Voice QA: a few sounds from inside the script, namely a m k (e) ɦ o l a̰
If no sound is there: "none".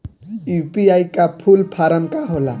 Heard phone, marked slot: a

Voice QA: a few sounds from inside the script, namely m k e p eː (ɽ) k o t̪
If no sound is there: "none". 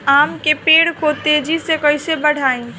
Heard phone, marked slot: ɽ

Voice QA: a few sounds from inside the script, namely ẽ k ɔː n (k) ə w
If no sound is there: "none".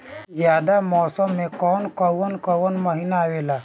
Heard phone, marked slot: k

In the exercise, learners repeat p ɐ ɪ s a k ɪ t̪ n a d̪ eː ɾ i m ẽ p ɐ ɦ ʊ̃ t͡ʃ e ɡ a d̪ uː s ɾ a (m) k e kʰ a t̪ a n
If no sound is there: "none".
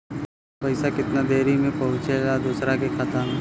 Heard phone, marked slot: none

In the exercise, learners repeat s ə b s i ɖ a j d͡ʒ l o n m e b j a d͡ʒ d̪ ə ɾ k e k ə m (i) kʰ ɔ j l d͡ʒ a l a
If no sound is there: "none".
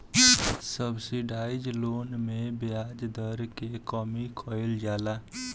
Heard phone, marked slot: i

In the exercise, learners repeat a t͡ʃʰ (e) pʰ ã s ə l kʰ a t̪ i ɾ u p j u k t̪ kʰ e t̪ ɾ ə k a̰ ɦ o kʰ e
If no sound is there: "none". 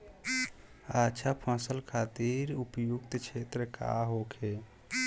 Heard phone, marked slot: a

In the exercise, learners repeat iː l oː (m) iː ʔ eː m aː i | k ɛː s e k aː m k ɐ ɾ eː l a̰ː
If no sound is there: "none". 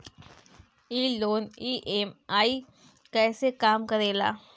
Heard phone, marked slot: n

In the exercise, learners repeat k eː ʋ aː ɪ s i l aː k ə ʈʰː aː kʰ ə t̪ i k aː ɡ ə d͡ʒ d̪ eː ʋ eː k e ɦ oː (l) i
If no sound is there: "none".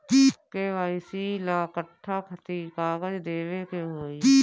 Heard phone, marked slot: none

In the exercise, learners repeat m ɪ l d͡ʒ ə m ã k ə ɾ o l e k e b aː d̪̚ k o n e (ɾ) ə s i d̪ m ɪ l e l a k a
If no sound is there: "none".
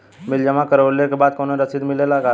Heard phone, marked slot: ɾ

